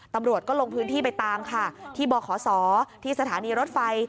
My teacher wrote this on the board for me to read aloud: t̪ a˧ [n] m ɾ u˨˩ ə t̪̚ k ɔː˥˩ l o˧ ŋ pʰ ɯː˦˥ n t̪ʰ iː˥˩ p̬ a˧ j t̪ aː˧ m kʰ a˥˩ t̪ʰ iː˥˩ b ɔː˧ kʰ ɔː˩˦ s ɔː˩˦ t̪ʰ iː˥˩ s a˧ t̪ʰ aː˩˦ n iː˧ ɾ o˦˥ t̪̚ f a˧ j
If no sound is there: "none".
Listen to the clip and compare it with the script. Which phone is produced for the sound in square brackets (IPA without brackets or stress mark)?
none